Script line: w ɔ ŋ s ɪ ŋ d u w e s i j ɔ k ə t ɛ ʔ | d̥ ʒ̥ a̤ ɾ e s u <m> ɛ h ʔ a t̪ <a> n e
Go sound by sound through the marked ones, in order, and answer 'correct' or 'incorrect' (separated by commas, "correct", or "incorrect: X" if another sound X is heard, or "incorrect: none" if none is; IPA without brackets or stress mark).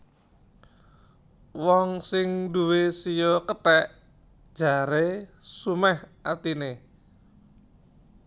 correct, incorrect: i